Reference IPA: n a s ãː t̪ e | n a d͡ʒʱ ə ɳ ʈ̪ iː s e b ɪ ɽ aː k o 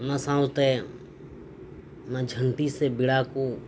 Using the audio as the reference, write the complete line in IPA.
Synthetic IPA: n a s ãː t̪ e | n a d͡ʒʱ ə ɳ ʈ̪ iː s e b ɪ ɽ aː k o